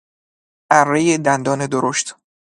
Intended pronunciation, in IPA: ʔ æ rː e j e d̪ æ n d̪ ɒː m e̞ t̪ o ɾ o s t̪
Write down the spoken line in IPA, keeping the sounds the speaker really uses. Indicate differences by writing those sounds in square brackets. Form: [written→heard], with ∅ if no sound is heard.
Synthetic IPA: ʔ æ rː e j e d̪ æ n d̪ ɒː [m→n] e̞ [t̪→d̪] o ɾ o [s→ʃ] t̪